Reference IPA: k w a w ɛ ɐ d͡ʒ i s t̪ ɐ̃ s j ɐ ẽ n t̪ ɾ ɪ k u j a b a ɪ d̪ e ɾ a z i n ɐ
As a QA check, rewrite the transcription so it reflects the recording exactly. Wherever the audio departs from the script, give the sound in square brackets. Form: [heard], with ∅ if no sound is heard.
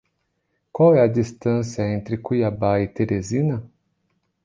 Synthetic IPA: k w a w ɛ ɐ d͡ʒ i s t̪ ɐ̃ s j ɐ ẽ n t̪ ɾ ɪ k u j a b a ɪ [t̪] e ɾ [e] z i n ɐ